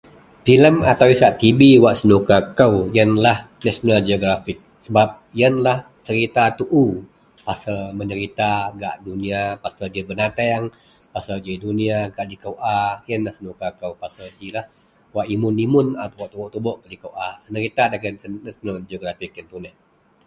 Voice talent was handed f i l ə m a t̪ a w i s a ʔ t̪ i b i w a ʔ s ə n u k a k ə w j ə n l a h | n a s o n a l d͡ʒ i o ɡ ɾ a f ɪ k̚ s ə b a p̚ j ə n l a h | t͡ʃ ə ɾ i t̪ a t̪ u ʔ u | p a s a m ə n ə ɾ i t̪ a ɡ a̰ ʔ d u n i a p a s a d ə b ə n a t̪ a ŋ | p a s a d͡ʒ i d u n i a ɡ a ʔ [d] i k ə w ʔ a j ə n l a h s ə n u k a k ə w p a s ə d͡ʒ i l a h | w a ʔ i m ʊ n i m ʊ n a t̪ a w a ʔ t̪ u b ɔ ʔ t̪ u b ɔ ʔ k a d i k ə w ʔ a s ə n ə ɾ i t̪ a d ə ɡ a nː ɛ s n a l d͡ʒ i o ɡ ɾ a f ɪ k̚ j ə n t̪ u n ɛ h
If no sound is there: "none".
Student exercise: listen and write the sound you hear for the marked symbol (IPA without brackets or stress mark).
d